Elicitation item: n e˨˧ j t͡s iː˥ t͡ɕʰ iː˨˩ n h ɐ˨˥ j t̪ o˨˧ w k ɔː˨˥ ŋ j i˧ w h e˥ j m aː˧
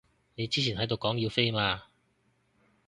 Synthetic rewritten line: n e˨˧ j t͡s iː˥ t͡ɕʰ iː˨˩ n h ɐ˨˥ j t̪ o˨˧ w k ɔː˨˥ ŋ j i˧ w f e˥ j m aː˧